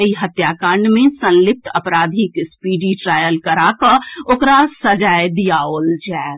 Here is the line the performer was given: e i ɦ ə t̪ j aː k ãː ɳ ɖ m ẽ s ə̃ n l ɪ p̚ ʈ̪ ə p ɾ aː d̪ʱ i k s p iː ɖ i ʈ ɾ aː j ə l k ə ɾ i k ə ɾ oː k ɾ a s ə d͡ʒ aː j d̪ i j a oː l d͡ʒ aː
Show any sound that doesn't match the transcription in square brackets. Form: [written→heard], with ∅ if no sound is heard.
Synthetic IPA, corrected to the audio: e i ɦ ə t̪ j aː k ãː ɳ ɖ m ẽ s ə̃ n l ɪ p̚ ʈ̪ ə p ɾ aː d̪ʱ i k s p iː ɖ i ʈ ɾ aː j ə l k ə ɾ [i→a] k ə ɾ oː k ɾ a s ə d͡ʒ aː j d̪ i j a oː l d͡ʒ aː